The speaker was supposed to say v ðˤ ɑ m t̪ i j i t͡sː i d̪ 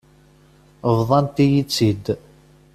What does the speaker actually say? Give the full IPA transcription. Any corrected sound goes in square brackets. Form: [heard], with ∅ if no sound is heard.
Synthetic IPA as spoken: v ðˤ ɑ [n] t̪ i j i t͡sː i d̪